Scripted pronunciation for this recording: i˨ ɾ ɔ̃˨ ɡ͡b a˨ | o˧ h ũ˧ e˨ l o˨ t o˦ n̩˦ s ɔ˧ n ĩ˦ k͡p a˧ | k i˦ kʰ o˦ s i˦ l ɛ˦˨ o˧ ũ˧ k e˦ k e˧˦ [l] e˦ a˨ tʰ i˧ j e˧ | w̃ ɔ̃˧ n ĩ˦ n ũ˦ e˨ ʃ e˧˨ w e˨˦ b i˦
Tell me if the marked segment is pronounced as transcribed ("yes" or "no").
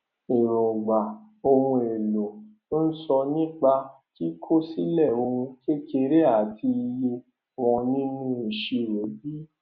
no